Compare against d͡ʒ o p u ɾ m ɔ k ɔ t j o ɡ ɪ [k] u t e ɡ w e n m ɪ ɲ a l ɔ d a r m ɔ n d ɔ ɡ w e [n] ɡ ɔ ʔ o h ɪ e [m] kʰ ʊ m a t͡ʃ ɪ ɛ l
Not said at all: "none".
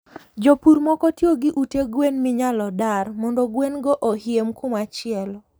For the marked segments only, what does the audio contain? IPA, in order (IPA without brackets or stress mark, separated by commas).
ʔ, n, m